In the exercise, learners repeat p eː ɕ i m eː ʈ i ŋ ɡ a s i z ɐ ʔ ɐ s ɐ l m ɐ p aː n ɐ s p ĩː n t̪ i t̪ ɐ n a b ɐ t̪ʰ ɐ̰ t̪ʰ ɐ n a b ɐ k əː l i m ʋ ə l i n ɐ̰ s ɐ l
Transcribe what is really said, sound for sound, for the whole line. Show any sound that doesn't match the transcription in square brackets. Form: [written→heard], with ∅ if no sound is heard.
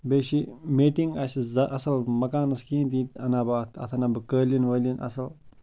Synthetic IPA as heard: [p→b] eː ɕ i m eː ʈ i ŋ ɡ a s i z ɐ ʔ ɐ s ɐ l m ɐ [p→k] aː n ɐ s [p→k] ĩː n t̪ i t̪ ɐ n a b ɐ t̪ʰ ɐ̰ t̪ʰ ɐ n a b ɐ k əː l i [m→n] ʋ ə l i n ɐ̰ s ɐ l